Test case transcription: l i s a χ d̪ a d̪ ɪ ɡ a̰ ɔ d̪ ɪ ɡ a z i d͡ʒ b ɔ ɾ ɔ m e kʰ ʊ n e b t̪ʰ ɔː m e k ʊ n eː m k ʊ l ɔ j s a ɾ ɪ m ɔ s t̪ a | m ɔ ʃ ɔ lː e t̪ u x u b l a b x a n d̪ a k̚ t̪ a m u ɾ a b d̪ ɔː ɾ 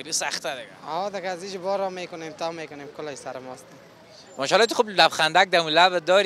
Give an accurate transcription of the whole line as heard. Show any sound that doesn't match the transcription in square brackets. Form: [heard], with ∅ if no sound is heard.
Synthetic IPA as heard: l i s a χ [t̪] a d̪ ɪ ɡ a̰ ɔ d̪ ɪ ɡ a z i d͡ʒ b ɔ ɾ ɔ m e [k] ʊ n e [m] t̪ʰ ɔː m e k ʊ n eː m k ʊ l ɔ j s a ɾ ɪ m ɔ s t̪ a | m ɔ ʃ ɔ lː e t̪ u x u b l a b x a n d̪ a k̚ [d̪] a m u [l] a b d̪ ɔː ɾ

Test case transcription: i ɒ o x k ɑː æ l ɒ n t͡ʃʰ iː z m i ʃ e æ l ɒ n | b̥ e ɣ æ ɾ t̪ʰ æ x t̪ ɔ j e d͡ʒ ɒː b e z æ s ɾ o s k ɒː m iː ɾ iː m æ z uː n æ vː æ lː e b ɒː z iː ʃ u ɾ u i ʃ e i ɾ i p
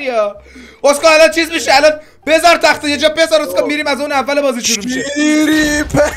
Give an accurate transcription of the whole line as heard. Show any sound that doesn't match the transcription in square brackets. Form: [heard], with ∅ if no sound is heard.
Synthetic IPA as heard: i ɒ o [s] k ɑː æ l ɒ n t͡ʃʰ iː z m i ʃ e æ l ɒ n | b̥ e [z] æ ɾ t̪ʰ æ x t̪ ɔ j e d͡ʒ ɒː b e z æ [∅] ɾ o s k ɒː m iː ɾ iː m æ z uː n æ vː æ [l] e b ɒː z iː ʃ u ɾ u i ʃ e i ɾ i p

